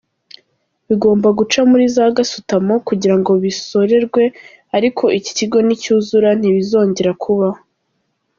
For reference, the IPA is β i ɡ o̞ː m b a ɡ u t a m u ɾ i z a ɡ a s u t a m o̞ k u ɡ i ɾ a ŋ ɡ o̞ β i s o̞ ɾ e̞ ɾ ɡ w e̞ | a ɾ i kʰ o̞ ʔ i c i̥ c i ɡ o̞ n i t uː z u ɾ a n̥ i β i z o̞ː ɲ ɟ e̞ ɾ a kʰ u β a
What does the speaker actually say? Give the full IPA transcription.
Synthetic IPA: β i ɡ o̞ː m b a ɡ u t͡ʃ a m u ɾ i z a ɡ a s u t a m o̞ k u ɟ i ɾ a ŋ ɡ o̞ β i s o̞ ɾ e̞ ɾ ɡ w e̞ | a ɾ i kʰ o̞ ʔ i c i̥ c i ɡ o̞ n i c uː z u ɾ a n̥ i β i z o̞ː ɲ ɟ e̞ ɾ a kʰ u β a